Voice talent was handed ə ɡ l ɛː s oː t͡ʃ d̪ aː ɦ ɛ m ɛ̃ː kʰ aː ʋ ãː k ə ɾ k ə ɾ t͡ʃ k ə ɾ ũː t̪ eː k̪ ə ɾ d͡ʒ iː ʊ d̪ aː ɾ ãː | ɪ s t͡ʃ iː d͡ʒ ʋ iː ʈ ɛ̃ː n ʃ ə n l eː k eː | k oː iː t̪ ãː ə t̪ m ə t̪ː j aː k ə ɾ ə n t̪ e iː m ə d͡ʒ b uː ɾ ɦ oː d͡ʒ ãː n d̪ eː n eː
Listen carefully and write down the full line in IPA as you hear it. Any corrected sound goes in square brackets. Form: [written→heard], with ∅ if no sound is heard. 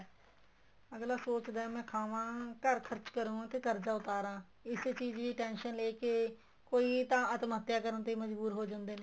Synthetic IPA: ə ɡ l [ɛː→aː] s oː t͡ʃ d̪ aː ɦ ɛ m ɛ̃ː kʰ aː ʋ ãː k ə ɾ [k→kʰ] ə ɾ t͡ʃ k ə ɾ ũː t̪ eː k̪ ə ɾ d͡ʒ [iː→aː] ʊ [d̪→t̪] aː ɾ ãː | ɪ s t͡ʃ iː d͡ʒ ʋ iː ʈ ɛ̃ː n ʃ ə n l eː k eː | k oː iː t̪ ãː ə t̪ m ə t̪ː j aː k ə ɾ ə n t̪ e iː m ə d͡ʒ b uː ɾ ɦ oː d͡ʒ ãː n d̪ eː n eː